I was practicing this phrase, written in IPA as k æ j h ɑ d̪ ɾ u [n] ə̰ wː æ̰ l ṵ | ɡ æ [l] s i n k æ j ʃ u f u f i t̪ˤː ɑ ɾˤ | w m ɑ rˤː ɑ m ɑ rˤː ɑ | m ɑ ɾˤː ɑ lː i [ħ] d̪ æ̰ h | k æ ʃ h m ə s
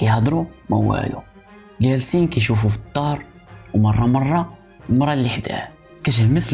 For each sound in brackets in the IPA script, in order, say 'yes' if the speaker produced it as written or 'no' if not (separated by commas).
no, yes, yes